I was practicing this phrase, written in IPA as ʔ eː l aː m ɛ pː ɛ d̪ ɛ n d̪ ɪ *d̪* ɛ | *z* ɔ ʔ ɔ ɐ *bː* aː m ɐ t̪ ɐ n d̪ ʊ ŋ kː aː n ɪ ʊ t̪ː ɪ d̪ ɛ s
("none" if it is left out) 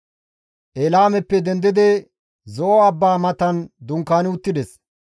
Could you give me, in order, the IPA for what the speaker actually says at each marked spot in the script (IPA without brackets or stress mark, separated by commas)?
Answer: d̪, z, bː